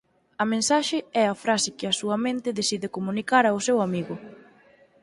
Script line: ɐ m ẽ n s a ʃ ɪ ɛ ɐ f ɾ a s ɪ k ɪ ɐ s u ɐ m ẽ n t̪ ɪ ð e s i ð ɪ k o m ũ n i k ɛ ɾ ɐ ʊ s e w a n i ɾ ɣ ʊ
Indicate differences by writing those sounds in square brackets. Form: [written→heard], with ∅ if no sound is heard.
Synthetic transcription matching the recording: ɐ m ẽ n s a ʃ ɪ ɛ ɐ f ɾ a s ɪ k ɪ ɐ s u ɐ m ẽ n t̪ ɪ ð e s i ð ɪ k o m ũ n i k [ɛ→a] ɾ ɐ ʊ s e w a [n→m] i [ɾ→∅] ɣ ʊ